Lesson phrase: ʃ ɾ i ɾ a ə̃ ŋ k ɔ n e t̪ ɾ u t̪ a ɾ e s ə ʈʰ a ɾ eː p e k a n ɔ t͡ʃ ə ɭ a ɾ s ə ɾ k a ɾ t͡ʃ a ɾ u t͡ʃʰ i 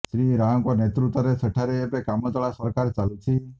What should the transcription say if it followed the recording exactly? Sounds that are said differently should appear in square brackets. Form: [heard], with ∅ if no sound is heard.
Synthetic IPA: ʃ ɾ i ɾ a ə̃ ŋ k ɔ n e t̪ ɾ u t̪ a ɾ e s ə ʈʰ a ɾ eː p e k a [m] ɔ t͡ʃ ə ɭ a [∅] s ə ɾ k a ɾ t͡ʃ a [l] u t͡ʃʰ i

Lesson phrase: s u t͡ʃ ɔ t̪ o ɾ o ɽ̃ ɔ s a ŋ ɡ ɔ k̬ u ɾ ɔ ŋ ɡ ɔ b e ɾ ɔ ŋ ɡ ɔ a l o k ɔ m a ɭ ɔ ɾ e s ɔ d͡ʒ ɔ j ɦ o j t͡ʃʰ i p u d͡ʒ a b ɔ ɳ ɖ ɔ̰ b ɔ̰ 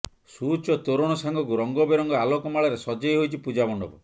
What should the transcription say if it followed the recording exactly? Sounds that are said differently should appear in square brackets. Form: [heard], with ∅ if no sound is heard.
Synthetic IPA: s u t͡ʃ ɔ t̪ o ɾ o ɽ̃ ɔ s a ŋ ɡ ɔ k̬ u ɾ ɔ ŋ ɡ ɔ b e ɾ ɔ ŋ ɡ ɔ a l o k ɔ m a ɭ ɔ ɾ e s ɔ d͡ʒ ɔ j ɦ o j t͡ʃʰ i p u d͡ʒ a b ɔ ɳ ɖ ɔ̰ b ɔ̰

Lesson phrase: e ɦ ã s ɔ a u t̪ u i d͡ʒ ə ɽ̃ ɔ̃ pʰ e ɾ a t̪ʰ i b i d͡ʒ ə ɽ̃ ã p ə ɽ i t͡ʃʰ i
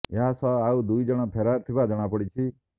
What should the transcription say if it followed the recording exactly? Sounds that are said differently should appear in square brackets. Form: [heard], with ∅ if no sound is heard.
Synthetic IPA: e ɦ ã s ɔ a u [d̪] u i d͡ʒ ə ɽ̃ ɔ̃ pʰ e ɾ a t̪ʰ i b [a] d͡ʒ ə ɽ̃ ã p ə ɽ i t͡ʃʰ i

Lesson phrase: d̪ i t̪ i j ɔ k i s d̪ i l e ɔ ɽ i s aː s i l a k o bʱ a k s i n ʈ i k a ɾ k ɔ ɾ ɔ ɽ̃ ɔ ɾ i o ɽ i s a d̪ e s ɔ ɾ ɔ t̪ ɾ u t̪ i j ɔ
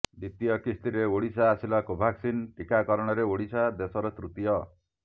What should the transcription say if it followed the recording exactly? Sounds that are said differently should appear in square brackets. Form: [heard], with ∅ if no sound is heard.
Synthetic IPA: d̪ i t̪ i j ɔ k i s [t̪] i [ɾ] e [o] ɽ i s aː s i l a k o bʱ a k s i n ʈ i k a [∅] k ɔ ɾ ɔ ɽ̃ ɔ ɾ [e] o ɽ i s a d̪ e s ɔ ɾ ɔ t̪ ɾ u t̪ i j ɔ

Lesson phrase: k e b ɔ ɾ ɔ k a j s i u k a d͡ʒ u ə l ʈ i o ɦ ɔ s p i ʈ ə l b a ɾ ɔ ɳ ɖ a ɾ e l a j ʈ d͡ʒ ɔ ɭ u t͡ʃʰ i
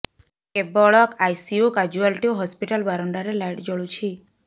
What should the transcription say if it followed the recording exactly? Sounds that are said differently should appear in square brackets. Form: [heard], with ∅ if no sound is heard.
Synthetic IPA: k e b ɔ [ɭ] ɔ k a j s i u k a d͡ʒ u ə l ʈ i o ɦ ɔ s p i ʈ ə l b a ɾ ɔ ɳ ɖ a ɾ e l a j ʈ d͡ʒ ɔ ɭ u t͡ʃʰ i

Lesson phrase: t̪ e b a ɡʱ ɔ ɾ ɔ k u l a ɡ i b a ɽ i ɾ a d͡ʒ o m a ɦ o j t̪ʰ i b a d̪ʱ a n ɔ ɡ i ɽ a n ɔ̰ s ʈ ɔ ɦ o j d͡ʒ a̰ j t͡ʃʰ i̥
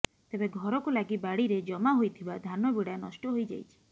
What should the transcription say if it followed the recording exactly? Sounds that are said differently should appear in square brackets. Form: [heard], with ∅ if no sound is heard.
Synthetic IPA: t̪ e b [e] ɡʱ ɔ ɾ ɔ k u l a ɡ i b a ɽ i ɾ [e] d͡ʒ [ɔ] m a ɦ o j t̪ʰ i b a d̪ʱ a n ɔ [b] i ɽ a n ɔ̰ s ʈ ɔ ɦ o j d͡ʒ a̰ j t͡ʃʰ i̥

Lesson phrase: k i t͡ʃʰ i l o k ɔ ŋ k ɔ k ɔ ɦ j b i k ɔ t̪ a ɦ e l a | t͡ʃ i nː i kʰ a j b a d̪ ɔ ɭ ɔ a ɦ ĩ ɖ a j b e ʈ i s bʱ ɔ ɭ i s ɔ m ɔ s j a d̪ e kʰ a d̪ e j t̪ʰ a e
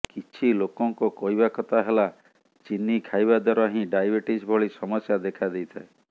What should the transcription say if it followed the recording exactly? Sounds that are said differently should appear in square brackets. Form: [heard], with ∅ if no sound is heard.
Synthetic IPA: k i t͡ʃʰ i l o k ɔ ŋ k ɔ k ɔ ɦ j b [a] k ɔ t̪ a ɦ e l a | t͡ʃ i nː i kʰ a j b a d̪ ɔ [ɾ] ɔ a ɦ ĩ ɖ a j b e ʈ i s bʱ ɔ ɭ i s ɔ m ɔ s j a d̪ e kʰ a d̪ e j t̪ʰ a e

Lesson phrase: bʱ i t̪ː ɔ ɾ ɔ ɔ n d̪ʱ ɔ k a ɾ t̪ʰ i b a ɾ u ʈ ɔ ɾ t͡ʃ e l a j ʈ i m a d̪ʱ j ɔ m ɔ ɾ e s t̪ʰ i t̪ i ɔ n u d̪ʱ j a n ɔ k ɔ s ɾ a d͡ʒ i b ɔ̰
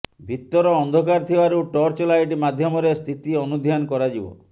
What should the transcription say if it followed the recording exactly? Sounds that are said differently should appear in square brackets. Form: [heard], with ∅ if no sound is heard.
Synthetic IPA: bʱ i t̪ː ɔ ɾ ɔ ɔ n d̪ʱ ɔ k a ɾ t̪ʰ i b a ɾ u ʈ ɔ ɾ t͡ʃ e l a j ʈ i m a d̪ʱ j ɔ m ɔ ɾ e s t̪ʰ i t̪ i ɔ n u d̪ʱ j a n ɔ k ɔ [∅] ɾ a d͡ʒ i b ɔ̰

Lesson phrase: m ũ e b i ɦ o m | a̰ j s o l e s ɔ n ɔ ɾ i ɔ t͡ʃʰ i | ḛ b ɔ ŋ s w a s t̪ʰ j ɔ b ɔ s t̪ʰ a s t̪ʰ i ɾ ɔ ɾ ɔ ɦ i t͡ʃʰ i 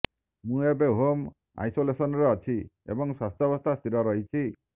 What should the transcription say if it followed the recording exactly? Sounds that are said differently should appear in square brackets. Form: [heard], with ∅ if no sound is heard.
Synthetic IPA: m ũ e b [e] ɦ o m | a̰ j s o l e s ɔ n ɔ ɾ [e] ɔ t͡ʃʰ i | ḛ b ɔ ŋ s w a s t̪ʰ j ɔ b ɔ s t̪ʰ a s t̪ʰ i ɾ ɔ ɾ ɔ ɦ i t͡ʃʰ i

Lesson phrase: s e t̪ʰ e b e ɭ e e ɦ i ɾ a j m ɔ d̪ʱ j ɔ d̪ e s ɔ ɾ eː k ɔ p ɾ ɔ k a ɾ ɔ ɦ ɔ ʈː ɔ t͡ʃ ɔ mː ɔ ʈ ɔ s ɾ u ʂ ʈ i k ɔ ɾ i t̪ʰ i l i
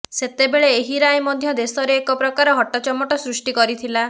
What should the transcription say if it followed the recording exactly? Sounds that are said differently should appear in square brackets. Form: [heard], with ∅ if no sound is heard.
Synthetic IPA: s e [t̪] e b e ɭ e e ɦ i ɾ a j m ɔ d̪ʱ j ɔ d̪ e s ɔ ɾ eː k ɔ p ɾ ɔ k a ɾ ɔ ɦ ɔ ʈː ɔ t͡ʃ ɔ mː ɔ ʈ ɔ s ɾ u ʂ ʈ i k ɔ ɾ i t̪ʰ i l [a]

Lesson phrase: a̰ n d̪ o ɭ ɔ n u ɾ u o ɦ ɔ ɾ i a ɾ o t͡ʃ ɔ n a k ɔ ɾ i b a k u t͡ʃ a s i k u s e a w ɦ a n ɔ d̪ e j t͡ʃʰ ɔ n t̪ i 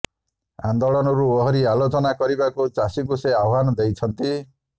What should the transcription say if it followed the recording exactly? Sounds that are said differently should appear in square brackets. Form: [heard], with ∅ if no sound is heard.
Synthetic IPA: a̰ n d̪ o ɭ ɔ n [ɔ] ɾ u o ɦ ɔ ɾ i a [l] o t͡ʃ ɔ n a k ɔ ɾ i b a k u t͡ʃ a s i k u s e a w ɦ a n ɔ d̪ e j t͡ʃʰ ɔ n t̪ i

